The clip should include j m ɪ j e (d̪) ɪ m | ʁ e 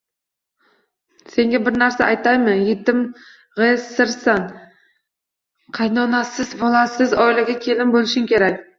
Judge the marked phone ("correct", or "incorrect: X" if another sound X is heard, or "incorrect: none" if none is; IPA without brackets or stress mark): incorrect: t̪